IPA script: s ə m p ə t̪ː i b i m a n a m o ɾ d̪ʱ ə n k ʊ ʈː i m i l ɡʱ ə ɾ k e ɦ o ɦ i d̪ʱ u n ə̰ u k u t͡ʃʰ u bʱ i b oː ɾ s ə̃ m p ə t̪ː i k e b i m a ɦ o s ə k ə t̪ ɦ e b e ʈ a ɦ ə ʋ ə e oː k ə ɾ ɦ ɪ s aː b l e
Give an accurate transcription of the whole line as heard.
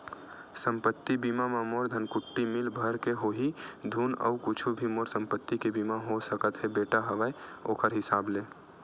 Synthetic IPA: s ə m p ə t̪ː i b i m a m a m o ɾ d̪ʱ ə n k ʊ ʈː i m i l bʱ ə ɾ k e ɦ o ɦ i d̪ʱ u n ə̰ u k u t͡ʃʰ u bʱ i m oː ɾ s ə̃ m p ə t̪ː i k e b i m a ɦ o s ə k ə t̪ ɦ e b e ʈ a ɦ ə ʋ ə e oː k ə ɾ ɦ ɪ s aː b l e

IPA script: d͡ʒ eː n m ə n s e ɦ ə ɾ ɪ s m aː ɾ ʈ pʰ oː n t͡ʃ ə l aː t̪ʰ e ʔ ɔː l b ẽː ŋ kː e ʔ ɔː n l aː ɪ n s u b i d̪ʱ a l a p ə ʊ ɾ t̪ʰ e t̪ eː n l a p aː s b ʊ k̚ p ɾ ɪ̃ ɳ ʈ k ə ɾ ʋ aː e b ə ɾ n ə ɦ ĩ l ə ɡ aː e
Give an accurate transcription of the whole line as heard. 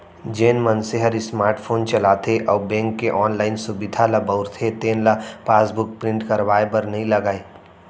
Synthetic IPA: d͡ʒ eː n m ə n s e ɦ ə ɾ i s m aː ɾ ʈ pʰ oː n t͡ʃ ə l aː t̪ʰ e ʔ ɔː b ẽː ŋ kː e ʔ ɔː n l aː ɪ n s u b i d̪ʱ a l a b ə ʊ ɾ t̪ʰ e t̪ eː n l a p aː s b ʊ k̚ p ɾ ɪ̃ ɳ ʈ k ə ɾ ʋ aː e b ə ɾ n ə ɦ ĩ l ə ɡ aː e

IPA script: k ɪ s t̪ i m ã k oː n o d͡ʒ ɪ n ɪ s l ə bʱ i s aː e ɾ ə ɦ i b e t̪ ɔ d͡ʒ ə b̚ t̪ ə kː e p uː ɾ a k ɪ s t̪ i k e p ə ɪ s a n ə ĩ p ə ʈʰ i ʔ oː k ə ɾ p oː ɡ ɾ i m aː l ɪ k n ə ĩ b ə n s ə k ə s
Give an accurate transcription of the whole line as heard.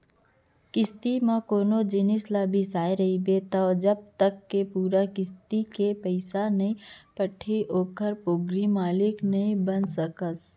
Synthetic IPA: k ɪ s t̪ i m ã k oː n o d͡ʒ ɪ n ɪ s l a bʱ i s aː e ɾ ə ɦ i b e t̪ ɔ d͡ʒ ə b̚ t̪ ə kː e p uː ɾ a k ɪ s t̪ i k e p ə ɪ s a n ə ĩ p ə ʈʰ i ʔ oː k ə ɾ p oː ɡ ɾ i m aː l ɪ k n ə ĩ b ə n s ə k ə s

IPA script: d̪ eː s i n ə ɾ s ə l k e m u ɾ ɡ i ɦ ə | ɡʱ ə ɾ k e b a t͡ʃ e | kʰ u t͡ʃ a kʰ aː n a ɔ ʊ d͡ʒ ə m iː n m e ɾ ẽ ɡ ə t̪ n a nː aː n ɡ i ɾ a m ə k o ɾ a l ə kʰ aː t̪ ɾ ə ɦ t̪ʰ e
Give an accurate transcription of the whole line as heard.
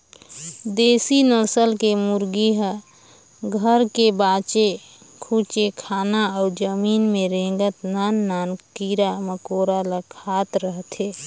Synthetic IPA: d̪ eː s i n ə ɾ s ə l k e m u ɾ ɡ i ɦ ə | ɡʱ ə ɾ k e b a t͡ʃ e | kʰ u t͡ʃ e kʰ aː n a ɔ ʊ d͡ʒ ə m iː n m e ɾ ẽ ɡ ə t̪ n a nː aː n k i ɾ a m ə k o ɾ a l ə kʰ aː t̪ ɾ ə ɦ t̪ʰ e

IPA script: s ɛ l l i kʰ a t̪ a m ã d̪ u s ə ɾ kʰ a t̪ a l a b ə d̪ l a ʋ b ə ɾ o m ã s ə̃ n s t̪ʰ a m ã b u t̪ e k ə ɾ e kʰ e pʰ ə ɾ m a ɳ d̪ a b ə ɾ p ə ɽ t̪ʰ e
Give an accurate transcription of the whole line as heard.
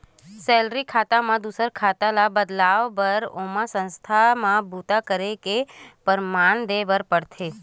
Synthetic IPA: s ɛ l ɾ i kʰ a t̪ a m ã d̪ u s ə ɾ kʰ a t̪ a l a b ə d̪ l a ʋ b ə ɾ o m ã s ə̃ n s t̪ʰ a m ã b u t̪ a k ə ɾ e k e p ə ɾ m a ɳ d̪ e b ə ɾ p ə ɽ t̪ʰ e

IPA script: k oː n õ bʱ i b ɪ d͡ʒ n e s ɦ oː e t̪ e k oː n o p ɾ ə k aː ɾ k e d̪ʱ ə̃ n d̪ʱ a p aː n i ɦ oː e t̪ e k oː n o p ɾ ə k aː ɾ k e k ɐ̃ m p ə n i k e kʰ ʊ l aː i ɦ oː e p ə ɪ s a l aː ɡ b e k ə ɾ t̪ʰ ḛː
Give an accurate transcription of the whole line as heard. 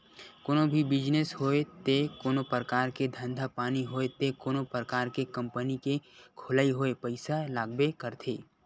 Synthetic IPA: k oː n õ bʱ i b ɪ d͡ʒ n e s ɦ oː e t̪ e k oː n o p ɾ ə k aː ɾ k e d̪ʱ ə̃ n d̪ʱ a p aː n i ɦ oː e t̪ e k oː n o p ɾ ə k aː ɾ k e k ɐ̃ m p ə n i k e kʰ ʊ l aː i ɦ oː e p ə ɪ s a l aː ɡ b e k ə ɾ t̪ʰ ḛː

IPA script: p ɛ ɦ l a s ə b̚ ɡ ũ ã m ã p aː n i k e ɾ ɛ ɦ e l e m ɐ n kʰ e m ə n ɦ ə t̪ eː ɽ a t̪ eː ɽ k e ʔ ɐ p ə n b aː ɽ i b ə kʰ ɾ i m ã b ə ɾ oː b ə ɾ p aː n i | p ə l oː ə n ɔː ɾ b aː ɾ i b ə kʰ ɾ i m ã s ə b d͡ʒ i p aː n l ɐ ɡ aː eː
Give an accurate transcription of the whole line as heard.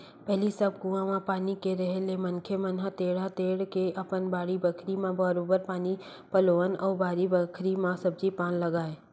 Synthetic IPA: p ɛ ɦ l i s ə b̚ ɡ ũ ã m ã p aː n i k e ɾ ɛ ɦ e l e m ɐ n kʰ e m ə n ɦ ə t̪ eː ɽ a t̪ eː ɽ k e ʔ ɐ p ə n b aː ɽ i b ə kʰ ɾ i m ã b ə ɾ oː b ə ɾ p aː n i | p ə l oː ə n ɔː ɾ b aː ɾ i b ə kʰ ɾ i m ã s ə b d͡ʒ i p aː n l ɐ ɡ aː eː

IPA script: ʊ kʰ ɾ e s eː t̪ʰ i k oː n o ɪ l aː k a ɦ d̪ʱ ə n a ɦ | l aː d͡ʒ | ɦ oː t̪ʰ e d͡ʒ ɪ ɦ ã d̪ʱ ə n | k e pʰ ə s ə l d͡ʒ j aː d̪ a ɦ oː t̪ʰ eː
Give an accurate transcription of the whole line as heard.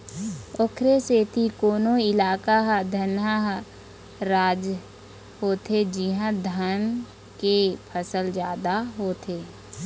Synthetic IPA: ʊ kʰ ɾ e s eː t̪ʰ i k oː n o ɪ l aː k a ɦ d̪ʱ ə n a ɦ | ɾ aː d͡ʒ | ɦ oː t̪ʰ e d͡ʒ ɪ ɦ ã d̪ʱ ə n | k e pʰ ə s ə l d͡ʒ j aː d̪ a ɦ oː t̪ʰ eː

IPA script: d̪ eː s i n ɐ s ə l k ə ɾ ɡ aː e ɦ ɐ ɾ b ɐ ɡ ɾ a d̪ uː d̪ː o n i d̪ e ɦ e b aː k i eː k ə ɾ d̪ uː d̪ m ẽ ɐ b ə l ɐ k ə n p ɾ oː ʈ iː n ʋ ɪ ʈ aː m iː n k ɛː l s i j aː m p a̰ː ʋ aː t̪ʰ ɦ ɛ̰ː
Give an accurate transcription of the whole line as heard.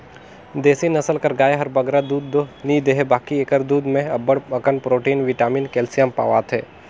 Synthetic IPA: d̪ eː s i n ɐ s ə l k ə ɾ ɡ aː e ɦ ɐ ɾ b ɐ ɡ ɾ a d̪ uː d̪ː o n i d̪ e ɦ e b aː k i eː k ə ɾ d̪ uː d̪ m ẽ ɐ b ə ɽ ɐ k ə n p ɾ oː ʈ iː n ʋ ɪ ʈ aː m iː n k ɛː l s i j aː m p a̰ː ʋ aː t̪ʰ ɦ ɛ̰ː

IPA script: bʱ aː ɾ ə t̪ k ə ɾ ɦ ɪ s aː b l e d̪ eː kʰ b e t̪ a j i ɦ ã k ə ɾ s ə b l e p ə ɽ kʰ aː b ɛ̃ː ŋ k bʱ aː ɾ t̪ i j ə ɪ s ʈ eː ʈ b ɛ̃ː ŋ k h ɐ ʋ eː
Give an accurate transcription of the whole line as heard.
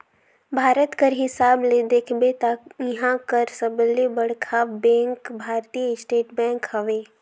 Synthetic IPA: bʱ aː ɾ ə t̪ k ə ɾ ɦ ɪ s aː b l e d̪ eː kʰ b e t̪ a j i ɦ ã k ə ɾ s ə b l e b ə ɽ kʰ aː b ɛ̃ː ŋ k bʱ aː ɾ t̪ i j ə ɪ s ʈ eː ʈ b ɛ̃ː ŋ k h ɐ ʋ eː

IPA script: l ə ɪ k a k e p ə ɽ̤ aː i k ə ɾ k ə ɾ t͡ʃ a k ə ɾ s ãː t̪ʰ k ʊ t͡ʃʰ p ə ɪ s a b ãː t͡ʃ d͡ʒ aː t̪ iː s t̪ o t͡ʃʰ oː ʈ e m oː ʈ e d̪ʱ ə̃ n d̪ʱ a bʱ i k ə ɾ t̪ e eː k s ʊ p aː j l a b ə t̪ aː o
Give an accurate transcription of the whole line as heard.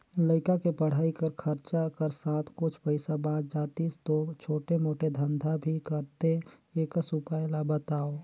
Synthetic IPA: l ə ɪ k a k e p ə ɽ̤ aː i k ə ɾ kʰ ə ɾ t͡ʃ a k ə ɾ s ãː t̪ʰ k ʊ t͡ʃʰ p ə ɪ s a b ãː t͡ʃ d͡ʒ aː t̪ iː s t̪ o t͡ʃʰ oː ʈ e m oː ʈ e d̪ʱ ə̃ n d̪ʱ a bʱ i k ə ɾ t̪ e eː k s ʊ p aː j l a b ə t̪ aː o

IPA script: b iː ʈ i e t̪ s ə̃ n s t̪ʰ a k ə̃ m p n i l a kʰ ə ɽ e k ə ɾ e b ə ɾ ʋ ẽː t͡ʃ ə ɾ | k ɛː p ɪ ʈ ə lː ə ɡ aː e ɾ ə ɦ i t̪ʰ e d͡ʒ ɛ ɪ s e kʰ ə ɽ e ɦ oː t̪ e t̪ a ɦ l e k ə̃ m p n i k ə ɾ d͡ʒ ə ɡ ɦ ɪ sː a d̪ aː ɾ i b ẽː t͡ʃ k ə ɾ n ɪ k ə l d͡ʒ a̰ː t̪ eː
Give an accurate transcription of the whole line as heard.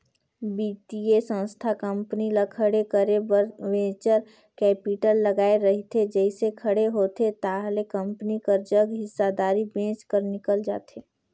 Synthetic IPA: b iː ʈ i e s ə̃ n s t̪ʰ a k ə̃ m p n i l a kʰ ə ɽ e k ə ɾ e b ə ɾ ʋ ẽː t͡ʃ ə ɾ | k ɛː p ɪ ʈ ə lː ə ɡ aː e ɾ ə ɦ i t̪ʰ e d͡ʒ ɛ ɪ s e kʰ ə ɽ e ɦ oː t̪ e t̪ a ɦ l e k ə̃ m p n i k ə ɾ d͡ʒ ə ɡ ɦ ɪ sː a d̪ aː ɾ i b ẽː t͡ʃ k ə ɾ n ɪ k ə l d͡ʒ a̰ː t̪ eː

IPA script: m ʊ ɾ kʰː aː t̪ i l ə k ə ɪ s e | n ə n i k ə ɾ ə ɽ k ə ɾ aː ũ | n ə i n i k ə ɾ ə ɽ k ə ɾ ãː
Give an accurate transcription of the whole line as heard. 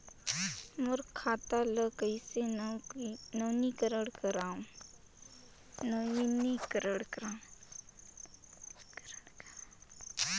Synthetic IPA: m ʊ ɾ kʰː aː t̪ a l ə k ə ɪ s e | n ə n i k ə ɾ ə ɽ k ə ɾ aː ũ | n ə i n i k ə ɾ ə ɽ k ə ɾ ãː

